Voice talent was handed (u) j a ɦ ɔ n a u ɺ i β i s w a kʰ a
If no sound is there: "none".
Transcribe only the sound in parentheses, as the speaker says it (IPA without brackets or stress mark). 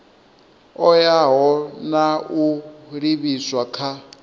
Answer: ɔ